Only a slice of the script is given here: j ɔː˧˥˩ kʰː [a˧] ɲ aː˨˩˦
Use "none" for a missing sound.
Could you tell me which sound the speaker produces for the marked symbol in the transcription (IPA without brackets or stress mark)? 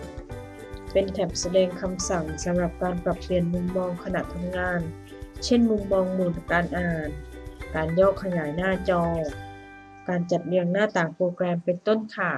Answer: a˧